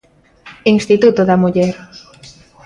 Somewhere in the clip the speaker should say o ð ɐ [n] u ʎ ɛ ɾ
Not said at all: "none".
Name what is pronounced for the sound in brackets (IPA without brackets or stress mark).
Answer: m